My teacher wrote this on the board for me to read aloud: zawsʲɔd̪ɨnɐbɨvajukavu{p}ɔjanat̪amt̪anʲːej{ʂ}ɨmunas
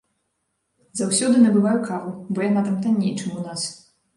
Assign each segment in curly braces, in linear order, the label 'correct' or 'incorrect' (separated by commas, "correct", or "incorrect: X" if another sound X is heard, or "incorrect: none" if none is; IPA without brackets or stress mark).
incorrect: b, incorrect: t͡ʂ